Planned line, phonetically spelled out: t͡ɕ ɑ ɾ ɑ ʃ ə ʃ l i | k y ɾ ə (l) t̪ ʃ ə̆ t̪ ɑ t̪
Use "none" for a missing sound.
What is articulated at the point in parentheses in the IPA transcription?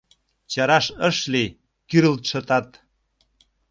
l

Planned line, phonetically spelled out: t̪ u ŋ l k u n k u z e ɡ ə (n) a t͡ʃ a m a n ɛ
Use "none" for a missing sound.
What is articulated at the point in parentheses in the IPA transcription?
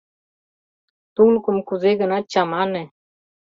n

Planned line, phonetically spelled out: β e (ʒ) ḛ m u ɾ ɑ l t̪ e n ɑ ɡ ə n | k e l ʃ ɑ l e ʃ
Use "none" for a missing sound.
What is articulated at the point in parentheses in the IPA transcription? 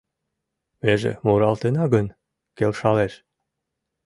ʒ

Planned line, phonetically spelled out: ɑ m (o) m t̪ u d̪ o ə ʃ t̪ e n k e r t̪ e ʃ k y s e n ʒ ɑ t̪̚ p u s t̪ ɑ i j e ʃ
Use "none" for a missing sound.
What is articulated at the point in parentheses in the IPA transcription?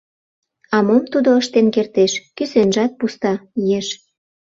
o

